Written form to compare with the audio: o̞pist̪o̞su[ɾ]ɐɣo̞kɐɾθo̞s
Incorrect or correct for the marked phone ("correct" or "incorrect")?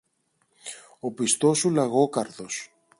incorrect